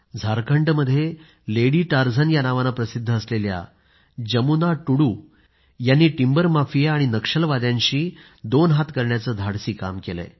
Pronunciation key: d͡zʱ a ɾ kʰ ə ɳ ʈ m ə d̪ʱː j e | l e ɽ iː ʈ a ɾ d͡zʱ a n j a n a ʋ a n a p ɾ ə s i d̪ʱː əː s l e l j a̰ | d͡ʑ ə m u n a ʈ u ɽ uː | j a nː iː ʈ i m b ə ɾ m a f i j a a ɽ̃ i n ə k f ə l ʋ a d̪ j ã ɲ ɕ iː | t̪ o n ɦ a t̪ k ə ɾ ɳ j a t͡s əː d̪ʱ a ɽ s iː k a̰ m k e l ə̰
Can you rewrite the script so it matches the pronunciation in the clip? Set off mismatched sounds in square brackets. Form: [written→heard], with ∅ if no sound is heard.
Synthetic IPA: d͡zʱ a ɾ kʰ ə ɳ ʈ m ə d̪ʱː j e | l e ɽ iː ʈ a ɾ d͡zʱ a n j a n a ʋ a n a p ɾ ə s i d̪ʱː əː s l e l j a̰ | d͡ʑ ə m u n a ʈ u ɽ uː | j a nː iː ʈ i m b ə ɾ m a f i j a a ɽ̃ i n ə k [f→ʂ] ə l ʋ a d̪ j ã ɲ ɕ iː | [t̪→d̪] o n ɦ a t̪ k ə ɾ ɳ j a t͡s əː d̪ʱ a ɽ s iː k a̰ m k e l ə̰